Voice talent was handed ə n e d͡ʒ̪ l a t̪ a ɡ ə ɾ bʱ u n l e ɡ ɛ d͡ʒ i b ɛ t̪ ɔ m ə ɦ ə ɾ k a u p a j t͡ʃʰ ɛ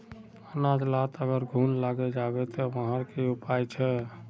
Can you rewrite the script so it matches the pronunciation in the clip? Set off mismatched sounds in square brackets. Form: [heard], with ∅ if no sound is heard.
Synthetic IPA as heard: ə n [a] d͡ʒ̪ l a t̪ [ə] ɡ ə ɾ [ɡʱ] u n l [a] ɡ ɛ d͡ʒ [a] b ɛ t̪ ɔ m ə ɦ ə ɾ k [e] u p a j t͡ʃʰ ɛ

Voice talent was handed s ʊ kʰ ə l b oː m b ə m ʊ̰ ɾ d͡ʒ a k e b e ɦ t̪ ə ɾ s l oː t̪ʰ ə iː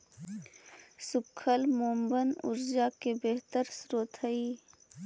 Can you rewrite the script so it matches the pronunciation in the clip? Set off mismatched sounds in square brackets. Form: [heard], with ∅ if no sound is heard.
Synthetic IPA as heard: s ʊ kʰ ə l [m] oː m b ə [n] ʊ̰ ɾ d͡ʒ a k e b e ɦ t̪ ə ɾ s [ɾ] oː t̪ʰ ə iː

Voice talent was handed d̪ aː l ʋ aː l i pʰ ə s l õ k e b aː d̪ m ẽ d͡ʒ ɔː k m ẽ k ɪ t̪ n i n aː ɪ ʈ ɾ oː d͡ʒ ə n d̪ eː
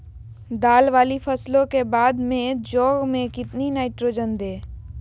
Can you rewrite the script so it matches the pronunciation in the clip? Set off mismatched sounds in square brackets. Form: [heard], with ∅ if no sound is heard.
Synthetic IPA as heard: d̪ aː l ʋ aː l i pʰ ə s l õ k e b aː d̪ m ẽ d͡ʒ ɔː [ɡ] m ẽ k ɪ t̪ n i n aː ɪ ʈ ɾ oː d͡ʒ ə n d̪ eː

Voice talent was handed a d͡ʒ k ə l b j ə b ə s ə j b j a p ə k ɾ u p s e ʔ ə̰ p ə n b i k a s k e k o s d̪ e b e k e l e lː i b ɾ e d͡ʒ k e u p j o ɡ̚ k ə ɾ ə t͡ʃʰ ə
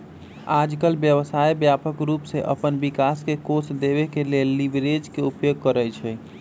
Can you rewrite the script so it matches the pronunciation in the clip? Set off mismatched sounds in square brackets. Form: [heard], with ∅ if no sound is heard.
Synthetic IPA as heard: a d͡ʒ k ə l b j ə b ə s [a] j b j a p ə k ɾ u p s e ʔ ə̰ p ə n b i k a s k e k o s d̪ e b e k e l e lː i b ɾ e d͡ʒ k e u p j o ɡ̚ k ə ɾ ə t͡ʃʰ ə

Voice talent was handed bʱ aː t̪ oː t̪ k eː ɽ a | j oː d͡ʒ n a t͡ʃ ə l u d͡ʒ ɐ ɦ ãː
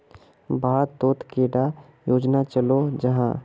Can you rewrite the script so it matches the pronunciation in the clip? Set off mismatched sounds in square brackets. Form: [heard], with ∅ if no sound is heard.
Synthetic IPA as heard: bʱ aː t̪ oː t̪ k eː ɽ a | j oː d͡ʒ n a t͡ʃ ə l [o] d͡ʒ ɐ ɦ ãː

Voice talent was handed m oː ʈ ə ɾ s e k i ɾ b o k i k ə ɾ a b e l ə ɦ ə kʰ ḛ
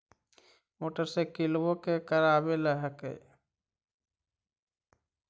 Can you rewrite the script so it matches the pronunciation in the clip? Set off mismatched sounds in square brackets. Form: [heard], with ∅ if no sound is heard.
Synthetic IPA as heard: m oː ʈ ə ɾ s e k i [l] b o k [e] k ə ɾ a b e l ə ɦ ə [k] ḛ

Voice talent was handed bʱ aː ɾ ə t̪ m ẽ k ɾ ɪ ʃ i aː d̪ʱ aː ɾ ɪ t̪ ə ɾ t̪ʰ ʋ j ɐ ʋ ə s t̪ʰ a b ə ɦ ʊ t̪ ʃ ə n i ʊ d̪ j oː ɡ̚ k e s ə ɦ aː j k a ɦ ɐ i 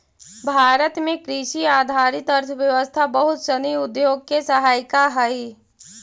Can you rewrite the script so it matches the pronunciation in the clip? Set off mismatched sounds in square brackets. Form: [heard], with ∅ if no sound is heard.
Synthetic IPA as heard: bʱ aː ɾ ə t̪ m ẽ k ɾ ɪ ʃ i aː d̪ʱ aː ɾ ɪ t̪ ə ɾ t̪ʰ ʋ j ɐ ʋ ə s t̪ʰ a b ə ɦ ʊ t̪ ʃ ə n i ʊ d̪ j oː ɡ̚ k e s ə ɦ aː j k a ɦ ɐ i

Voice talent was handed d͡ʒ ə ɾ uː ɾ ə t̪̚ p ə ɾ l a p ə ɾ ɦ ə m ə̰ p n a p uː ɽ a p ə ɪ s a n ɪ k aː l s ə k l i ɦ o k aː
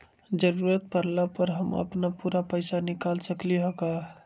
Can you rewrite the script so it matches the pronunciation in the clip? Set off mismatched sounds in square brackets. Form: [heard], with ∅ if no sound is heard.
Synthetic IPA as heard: d͡ʒ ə ɾ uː ɾ ə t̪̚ p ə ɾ l a p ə ɾ ɦ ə m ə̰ p n a p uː [ɾ] a p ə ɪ s a n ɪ k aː l s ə k l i ɦ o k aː

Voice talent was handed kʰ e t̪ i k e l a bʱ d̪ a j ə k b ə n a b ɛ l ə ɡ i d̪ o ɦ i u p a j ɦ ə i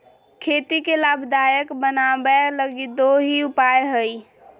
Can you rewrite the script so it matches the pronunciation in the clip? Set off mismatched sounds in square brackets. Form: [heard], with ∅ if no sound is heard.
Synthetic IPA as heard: kʰ e t̪ i k e l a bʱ d̪ a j ə k b ə n a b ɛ l ə ɡ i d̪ o ɦ i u p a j ɦ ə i

